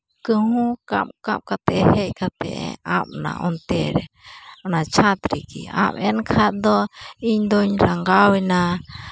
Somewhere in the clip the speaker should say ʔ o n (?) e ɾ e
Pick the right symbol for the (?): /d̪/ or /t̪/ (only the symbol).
t̪